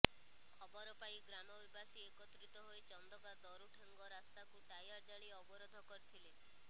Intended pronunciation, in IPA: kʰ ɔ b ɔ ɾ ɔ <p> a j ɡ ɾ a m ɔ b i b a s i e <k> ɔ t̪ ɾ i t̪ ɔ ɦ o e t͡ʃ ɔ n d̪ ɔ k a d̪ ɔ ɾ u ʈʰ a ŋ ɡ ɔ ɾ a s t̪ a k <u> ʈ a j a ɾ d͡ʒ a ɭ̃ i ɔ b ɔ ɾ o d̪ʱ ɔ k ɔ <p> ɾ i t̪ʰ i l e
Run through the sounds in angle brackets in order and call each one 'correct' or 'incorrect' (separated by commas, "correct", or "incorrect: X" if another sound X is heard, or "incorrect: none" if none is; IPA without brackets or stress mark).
correct, correct, correct, incorrect: none